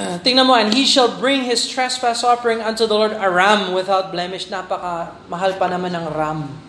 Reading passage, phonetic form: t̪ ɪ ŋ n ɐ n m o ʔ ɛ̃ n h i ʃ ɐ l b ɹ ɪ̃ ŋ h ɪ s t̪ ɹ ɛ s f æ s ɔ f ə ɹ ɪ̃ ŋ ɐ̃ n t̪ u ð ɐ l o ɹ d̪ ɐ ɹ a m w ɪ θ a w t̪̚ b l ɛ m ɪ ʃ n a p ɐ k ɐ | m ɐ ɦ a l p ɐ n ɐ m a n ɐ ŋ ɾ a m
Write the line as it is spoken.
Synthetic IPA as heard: t̪ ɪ ŋ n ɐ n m o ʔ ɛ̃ n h i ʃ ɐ l b ɹ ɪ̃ ŋ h ɪ s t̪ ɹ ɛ s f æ s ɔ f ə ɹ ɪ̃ ŋ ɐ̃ n t̪ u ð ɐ l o ɹ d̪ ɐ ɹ a m w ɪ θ a w t̪̚ b l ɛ m ɪ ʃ n a p ɐ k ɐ | m ɐ ɦ a l p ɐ n ɐ m a n ɐ ŋ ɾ a m